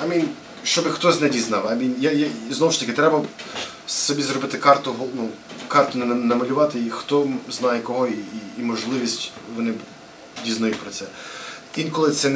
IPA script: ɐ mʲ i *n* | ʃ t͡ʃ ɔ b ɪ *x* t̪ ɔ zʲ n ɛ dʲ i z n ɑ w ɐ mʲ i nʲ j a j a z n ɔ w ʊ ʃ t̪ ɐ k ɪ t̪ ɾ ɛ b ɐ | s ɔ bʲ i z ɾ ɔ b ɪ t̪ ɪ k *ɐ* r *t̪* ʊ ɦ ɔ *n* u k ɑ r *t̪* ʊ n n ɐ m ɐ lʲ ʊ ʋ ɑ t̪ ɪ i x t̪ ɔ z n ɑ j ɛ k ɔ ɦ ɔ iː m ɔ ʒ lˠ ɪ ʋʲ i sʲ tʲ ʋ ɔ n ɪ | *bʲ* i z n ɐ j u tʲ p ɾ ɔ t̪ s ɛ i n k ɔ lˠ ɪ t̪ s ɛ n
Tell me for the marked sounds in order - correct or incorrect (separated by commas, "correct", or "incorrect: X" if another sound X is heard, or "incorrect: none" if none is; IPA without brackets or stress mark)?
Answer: correct, correct, incorrect: ɑ, correct, correct, correct, incorrect: dʲ